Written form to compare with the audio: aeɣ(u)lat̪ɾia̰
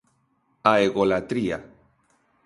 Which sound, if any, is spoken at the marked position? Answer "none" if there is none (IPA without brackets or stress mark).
o